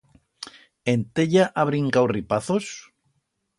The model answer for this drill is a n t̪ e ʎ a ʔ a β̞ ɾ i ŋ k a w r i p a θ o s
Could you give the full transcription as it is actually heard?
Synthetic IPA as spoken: e n t̪ e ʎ a ʔ a β̞ ɾ i ŋ k a w r i p a θ o s